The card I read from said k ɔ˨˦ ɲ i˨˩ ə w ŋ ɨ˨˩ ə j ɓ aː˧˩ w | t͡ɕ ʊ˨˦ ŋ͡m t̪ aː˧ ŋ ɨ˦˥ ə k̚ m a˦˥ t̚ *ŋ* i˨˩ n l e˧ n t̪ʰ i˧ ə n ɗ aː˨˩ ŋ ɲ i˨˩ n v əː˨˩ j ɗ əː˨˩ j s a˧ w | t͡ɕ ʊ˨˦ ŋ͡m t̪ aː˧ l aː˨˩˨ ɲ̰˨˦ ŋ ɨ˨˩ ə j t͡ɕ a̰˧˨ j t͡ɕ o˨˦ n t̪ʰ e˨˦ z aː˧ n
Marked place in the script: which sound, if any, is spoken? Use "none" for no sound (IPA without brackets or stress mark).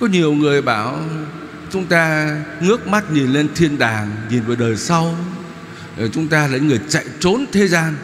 ɲ